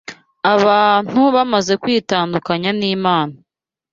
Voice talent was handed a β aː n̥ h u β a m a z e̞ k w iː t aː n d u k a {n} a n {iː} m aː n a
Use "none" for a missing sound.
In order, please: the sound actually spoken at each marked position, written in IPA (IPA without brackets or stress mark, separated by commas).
ɲ, iː